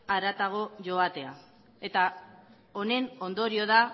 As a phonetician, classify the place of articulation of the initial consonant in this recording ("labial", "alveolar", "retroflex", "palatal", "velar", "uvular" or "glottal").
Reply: alveolar